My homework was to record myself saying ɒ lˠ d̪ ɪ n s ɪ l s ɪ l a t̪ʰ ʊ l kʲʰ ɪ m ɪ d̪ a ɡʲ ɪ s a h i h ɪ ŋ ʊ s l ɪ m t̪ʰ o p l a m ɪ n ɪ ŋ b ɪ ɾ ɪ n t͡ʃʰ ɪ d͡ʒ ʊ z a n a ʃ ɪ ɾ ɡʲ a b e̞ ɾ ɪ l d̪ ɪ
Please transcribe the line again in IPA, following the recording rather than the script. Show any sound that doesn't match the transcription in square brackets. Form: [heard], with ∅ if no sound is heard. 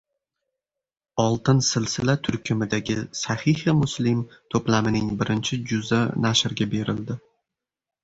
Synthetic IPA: ɒ lˠ [t̪] ɪ n s ɪ l s ɪ l a t̪ʰ ʊ [ɾ] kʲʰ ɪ m ɪ d̪ a ɡʲ ɪ s a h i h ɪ [m] ʊ s l ɪ m t̪ʰ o p l a m ɪ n ɪ ŋ b ɪ ɾ ɪ n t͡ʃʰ ɪ d͡ʒ ʊ z a n a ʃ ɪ ɾ ɡʲ a b e̞ ɾ ɪ l d̪ ɪ